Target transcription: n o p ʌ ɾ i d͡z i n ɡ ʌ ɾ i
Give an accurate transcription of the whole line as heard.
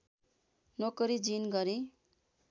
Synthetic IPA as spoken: n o k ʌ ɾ i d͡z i n ɡ ʌ ɾ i